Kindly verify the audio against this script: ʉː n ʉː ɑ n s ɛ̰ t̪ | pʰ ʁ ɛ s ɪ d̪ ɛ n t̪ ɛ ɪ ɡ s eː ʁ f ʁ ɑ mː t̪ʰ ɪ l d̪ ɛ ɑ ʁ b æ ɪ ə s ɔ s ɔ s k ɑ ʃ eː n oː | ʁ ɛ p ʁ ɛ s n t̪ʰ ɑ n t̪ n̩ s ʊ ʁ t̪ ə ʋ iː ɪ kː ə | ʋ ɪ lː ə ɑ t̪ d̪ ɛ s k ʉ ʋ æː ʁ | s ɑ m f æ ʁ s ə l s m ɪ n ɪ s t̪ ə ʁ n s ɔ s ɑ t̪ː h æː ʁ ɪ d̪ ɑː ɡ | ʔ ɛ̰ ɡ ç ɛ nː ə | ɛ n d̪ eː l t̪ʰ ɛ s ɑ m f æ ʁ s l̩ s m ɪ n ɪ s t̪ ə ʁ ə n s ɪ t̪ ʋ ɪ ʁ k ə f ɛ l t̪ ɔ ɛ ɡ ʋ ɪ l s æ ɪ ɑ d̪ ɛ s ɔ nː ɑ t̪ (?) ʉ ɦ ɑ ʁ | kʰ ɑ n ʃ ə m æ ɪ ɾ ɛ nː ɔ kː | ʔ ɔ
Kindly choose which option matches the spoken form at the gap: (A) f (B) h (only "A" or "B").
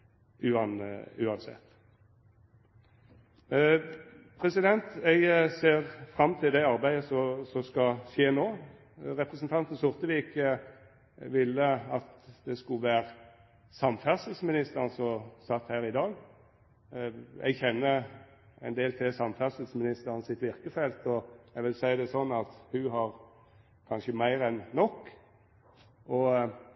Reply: B